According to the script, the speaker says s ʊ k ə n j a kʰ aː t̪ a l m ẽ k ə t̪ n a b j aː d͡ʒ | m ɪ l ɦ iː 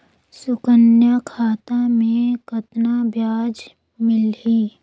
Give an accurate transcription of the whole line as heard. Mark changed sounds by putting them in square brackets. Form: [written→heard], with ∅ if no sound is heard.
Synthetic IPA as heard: s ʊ k ə n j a kʰ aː t̪ a [l→∅] m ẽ k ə t̪ n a b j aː d͡ʒ | m ɪ l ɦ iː